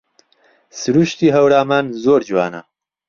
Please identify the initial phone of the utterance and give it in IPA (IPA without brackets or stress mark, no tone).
s